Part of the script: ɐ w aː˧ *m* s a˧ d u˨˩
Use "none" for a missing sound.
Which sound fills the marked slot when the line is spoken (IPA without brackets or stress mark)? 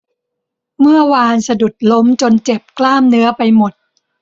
n